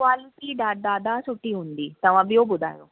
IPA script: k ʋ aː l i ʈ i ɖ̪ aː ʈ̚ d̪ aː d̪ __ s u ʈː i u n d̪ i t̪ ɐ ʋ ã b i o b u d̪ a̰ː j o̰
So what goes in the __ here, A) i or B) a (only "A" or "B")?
B